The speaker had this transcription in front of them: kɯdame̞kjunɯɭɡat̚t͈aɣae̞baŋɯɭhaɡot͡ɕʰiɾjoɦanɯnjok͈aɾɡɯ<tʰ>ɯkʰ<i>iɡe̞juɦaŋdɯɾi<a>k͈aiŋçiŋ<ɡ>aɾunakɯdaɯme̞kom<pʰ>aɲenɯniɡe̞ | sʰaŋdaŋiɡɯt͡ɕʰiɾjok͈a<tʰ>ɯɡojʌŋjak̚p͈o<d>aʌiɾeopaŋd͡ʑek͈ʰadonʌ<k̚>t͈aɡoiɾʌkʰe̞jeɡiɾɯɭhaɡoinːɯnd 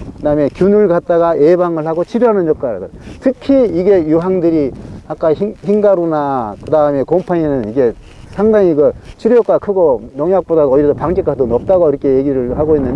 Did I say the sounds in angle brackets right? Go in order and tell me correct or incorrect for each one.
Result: correct, correct, correct, correct, correct, incorrect, correct, incorrect

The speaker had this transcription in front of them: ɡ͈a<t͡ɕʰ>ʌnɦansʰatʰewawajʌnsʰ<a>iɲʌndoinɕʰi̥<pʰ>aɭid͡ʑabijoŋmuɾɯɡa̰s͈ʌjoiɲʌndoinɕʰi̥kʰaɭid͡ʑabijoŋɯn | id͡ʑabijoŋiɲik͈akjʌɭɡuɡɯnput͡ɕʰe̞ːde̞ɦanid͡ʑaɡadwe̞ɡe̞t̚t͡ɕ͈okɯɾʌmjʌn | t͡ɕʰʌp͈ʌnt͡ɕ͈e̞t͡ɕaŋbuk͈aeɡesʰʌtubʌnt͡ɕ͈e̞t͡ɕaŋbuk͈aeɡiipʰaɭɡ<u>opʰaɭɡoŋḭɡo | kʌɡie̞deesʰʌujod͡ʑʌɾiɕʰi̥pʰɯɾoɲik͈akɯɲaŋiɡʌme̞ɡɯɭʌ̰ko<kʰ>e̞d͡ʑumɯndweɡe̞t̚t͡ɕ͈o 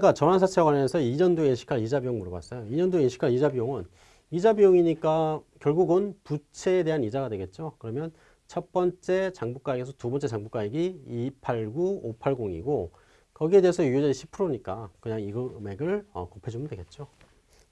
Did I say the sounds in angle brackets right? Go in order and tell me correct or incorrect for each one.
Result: incorrect, incorrect, incorrect, correct, incorrect

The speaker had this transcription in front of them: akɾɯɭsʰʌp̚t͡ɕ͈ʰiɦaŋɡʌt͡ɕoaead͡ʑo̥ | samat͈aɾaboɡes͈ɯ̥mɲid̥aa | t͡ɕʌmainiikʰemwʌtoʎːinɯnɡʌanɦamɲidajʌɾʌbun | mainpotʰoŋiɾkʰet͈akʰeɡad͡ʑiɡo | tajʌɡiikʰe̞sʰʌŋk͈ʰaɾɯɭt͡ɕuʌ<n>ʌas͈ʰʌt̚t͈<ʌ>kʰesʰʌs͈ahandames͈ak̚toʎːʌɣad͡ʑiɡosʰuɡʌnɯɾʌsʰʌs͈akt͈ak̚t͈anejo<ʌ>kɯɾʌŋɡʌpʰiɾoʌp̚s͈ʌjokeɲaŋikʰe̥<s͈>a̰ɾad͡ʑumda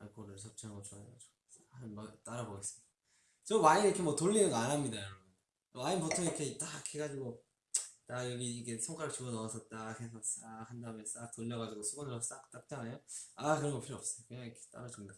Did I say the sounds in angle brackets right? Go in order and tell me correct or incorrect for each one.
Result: correct, incorrect, incorrect, incorrect

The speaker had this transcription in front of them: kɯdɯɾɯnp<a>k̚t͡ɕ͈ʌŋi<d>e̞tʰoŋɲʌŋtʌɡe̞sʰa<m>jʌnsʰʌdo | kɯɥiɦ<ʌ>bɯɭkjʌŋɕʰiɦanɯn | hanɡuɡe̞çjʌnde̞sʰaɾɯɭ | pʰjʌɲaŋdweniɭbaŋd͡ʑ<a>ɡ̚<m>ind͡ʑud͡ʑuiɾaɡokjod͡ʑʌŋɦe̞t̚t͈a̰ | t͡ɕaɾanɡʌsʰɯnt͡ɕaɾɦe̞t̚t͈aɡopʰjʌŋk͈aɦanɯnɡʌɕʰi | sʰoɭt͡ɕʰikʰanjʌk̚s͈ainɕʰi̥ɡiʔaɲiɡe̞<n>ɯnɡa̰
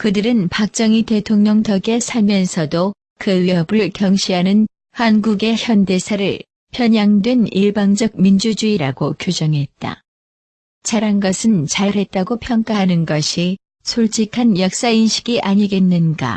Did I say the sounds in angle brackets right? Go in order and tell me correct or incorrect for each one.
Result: correct, incorrect, correct, correct, incorrect, correct, incorrect

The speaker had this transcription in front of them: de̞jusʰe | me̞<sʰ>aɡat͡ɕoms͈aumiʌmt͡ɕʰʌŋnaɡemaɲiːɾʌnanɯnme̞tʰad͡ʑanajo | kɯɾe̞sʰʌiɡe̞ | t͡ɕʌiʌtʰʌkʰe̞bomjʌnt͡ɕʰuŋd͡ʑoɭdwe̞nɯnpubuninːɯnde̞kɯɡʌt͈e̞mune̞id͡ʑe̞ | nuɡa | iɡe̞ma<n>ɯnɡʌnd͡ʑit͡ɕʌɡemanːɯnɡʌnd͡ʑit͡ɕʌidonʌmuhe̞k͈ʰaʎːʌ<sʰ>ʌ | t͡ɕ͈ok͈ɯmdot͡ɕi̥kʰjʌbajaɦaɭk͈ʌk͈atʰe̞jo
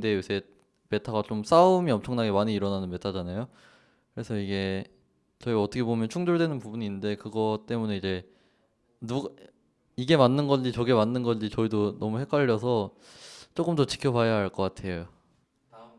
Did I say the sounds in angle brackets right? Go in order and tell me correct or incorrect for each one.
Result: incorrect, incorrect, correct

